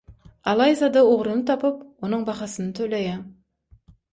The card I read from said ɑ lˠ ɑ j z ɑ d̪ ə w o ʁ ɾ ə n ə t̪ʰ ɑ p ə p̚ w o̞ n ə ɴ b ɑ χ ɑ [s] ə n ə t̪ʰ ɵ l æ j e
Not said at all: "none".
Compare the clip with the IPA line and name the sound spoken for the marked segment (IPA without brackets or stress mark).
s